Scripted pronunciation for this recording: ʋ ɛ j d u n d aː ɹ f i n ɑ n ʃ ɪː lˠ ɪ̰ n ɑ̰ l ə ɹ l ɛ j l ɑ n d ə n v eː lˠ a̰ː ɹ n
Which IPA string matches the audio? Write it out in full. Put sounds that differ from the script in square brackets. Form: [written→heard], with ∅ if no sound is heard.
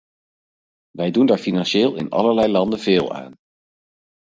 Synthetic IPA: ʋ ɛ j d u n d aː ɹ f i n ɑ n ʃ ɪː lˠ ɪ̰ n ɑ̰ l ə ɹ l ɛ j l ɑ n d ə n v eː lˠ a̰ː [ɹ→∅] n